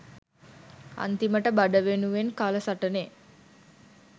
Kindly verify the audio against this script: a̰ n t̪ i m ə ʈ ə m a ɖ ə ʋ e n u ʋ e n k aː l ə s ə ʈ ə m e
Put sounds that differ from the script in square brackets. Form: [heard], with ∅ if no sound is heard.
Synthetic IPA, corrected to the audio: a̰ n t̪ i m ə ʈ ə [b] a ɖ ə ʋ e n u ʋ e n k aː l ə s [a] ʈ ə [n] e